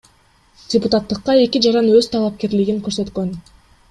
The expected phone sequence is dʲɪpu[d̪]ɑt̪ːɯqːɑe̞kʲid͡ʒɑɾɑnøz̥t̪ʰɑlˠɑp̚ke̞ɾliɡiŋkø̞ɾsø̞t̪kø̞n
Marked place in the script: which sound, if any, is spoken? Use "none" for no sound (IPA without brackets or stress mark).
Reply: t̪